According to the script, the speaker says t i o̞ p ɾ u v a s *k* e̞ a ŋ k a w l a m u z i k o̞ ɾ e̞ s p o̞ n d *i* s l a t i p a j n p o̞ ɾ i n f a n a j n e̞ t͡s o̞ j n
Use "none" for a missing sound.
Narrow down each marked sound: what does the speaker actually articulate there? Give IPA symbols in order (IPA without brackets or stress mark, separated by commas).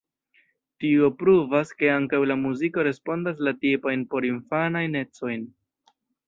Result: k, a